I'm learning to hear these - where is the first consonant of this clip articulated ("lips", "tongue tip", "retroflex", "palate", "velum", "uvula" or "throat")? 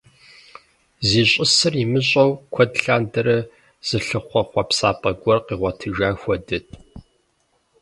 tongue tip